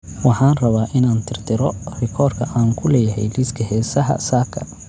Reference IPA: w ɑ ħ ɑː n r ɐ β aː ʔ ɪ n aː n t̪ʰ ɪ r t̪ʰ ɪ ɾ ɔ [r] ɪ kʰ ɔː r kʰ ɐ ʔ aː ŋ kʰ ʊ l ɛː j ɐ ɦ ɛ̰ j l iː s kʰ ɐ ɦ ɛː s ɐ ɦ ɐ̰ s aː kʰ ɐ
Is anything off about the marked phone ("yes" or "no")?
no